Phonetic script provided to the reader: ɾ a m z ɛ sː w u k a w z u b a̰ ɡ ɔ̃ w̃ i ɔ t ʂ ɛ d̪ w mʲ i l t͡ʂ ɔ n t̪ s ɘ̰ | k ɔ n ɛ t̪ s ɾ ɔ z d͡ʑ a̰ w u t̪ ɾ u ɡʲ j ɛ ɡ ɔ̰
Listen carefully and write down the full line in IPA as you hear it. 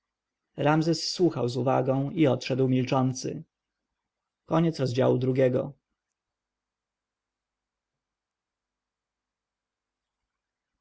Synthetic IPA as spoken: ɾ a m z ɛ sː w u x a w z u v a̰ ɡ ɔ̃ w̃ i ɔ t ʂ ɛ d̪ w mʲ i l t͡ʂ ɔ n t̪ s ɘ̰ | k ɔ ɲ ɛ t̪ s ɾ ɔ z d͡ʑ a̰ w u d̪ ɾ u ɡʲ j ɛ ɡ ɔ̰

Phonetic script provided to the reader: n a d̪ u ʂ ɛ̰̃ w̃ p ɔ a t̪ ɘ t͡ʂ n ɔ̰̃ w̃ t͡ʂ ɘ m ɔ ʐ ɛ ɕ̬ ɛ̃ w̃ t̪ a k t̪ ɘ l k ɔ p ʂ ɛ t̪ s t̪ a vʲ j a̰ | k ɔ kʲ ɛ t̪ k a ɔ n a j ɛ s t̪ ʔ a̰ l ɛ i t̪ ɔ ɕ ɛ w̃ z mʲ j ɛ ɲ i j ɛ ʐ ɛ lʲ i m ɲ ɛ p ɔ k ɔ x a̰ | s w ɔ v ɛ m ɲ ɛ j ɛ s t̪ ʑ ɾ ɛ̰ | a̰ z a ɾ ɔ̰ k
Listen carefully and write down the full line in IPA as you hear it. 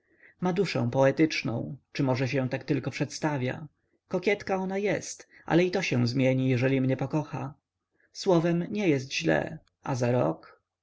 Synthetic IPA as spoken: m a d̪ u ʂ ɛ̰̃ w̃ p ɔ ɛ t̪ ɘ t͡ʂ n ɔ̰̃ w̃ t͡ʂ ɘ m ɔ ʐ ɛ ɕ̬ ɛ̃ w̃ t̪ a k t̪ ɘ l k ɔ p ʂ ɛ t̪ s t̪ a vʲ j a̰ | k ɔ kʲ ɛ t̪ k a ɔ n a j ɛ s t̪ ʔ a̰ l ɛ i t̪ ɔ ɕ ɛ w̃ z mʲ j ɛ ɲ i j ɛ ʐ ɛ lʲ i m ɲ ɛ p ɔ k ɔ x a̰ | s w ɔ v ɛ m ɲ ɛ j ɛ s t̪ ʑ l ɛ̰ | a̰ z a ɾ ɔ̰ k

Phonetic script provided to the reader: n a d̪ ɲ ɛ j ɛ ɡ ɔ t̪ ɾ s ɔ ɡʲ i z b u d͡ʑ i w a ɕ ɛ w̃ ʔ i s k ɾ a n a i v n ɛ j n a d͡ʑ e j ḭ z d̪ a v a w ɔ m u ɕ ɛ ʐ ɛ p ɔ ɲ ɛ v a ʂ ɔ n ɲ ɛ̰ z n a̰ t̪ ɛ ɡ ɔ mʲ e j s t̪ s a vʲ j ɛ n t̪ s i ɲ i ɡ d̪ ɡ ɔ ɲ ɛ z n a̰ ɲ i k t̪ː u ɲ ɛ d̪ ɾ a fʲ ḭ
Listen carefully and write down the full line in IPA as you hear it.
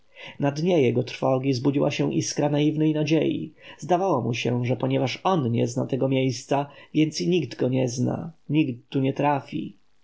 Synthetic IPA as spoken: n a d̪ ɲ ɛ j ɛ ɡ ɔ t̪ ɾ f ɔ ɡʲ i z b u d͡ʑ i w a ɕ ɛ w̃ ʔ i s k ɾ a n a i v n ɛ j n a d͡ʑ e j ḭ z d̪ a v a w ɔ m u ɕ ɛ ʐ ɛ p ɔ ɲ ɛ v a ʂ ɔ n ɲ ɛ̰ z n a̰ t̪ ɛ ɡ ɔ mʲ e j s t̪ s a vʲ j ɛ n t̪ s i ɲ i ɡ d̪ ɡ ɔ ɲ ɛ z n a̰ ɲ i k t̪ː u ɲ ɛ t̪ ɾ a fʲ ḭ

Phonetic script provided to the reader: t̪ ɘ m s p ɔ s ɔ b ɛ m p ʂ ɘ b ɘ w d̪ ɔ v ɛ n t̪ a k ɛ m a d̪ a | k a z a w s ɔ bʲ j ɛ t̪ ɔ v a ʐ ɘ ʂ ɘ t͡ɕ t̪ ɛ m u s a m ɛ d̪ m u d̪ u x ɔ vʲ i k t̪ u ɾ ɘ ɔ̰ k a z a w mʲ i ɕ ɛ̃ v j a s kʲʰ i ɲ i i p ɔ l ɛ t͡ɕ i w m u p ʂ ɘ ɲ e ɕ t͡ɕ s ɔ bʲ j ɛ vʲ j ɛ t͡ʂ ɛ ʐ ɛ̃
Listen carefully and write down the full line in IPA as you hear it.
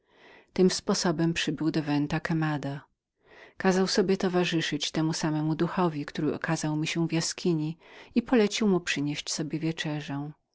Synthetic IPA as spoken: t̪ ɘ m s p ɔ s ɔ b ɛ m p ʂ ɘ b ɘ w d̪ ɔ v ɛ n t̪ a k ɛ m a d̪ a | k a z a w s ɔ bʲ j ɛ t̪ ɔ v a ʐ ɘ ʂ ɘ t͡ɕ t̪ ɛ m u s a m ɛ m u d̪ u x ɔ vʲ i k t̪ u ɾ ɘ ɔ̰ k a z a w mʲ i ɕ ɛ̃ v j a s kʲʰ i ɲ i i p ɔ l ɛ t͡ɕ i w m u p ʂ ɘ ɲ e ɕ t͡ɕ s ɔ bʲ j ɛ vʲ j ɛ t͡ʂ ɛ ʐ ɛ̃

